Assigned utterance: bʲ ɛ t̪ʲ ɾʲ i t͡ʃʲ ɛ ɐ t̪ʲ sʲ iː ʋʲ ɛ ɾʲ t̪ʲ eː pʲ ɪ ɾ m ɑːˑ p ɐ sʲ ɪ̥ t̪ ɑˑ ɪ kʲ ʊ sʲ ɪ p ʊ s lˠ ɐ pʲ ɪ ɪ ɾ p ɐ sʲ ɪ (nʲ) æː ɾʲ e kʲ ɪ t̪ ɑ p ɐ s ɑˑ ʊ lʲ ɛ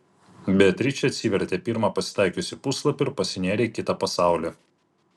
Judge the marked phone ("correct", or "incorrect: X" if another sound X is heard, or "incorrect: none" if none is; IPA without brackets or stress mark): correct